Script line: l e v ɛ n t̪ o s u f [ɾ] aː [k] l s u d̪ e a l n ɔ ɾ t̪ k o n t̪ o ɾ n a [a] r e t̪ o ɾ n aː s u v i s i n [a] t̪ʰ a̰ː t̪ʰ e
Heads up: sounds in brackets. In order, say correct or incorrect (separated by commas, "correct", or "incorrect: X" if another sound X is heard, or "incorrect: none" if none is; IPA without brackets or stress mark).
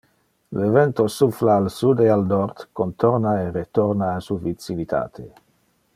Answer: incorrect: l, incorrect: none, incorrect: e, incorrect: i